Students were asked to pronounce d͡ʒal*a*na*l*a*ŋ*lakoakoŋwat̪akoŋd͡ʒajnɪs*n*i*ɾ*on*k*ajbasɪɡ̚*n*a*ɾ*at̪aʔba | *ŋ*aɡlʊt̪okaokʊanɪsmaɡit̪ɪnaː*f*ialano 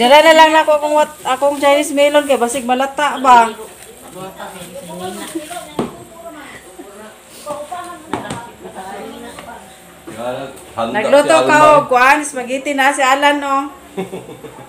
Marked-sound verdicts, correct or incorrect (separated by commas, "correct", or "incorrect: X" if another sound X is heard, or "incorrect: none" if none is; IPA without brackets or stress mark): correct, correct, correct, incorrect: m, incorrect: l, correct, incorrect: m, incorrect: l, incorrect: n, incorrect: s